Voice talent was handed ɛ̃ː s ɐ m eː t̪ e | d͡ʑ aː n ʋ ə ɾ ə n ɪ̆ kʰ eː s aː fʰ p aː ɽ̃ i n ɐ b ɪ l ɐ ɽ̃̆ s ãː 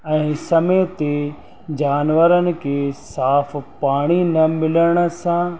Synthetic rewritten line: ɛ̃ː s ɐ m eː t̪ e | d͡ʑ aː n ʋ ə ɾ ə n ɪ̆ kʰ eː s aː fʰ p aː ɽ̃ i n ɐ m ɪ l ə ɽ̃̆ s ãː